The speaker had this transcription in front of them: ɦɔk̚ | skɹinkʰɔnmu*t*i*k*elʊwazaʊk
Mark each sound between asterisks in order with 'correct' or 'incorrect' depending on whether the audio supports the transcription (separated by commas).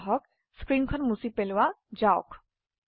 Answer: incorrect, incorrect